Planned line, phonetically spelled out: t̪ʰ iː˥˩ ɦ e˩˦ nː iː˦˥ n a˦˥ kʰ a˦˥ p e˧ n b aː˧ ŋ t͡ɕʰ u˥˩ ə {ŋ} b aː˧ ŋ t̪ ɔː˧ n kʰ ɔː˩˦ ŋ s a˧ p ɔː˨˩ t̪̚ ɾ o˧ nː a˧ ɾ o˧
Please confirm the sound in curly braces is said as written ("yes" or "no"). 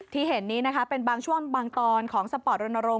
yes